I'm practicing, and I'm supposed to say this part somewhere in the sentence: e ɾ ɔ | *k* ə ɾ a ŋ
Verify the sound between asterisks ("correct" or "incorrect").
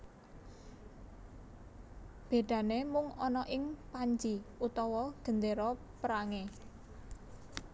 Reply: incorrect